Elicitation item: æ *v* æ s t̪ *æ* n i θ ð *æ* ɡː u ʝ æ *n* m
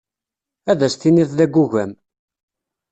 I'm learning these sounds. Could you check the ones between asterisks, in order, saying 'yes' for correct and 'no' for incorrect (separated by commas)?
no, no, yes, no